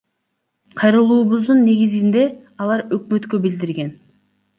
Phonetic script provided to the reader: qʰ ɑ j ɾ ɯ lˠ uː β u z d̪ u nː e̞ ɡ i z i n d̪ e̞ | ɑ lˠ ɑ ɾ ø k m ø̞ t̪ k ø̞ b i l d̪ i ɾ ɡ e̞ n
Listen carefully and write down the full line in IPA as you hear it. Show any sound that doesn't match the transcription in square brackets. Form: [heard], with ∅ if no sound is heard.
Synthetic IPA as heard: qʰ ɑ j ɾ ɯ lˠ uː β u z d̪ u nː e̞ ɡ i z i n d̪ e̞ | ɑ lˠ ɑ ɾ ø k m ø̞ t̪ k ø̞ b i l d̪ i ɾ ɡ e̞ n